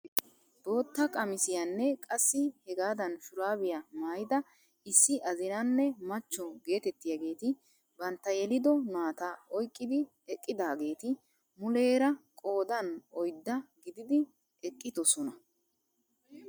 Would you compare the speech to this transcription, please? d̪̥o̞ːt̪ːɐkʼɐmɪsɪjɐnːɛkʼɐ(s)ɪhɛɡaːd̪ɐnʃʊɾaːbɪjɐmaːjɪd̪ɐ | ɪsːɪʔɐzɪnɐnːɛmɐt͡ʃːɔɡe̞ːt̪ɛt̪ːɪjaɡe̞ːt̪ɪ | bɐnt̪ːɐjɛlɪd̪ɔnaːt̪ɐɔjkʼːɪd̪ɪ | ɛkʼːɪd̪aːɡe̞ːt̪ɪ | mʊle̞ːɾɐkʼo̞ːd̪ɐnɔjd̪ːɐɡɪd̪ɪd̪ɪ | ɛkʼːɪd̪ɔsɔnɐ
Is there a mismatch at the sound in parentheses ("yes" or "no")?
yes